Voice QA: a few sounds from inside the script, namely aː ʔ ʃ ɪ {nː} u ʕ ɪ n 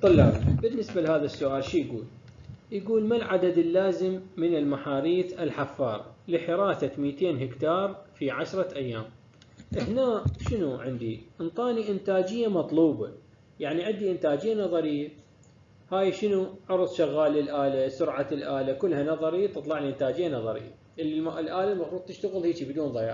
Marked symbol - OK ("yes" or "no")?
no